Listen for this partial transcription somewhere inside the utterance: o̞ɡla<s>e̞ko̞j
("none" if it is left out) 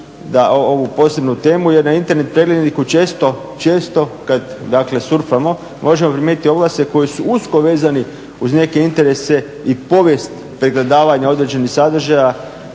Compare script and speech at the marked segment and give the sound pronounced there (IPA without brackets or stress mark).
s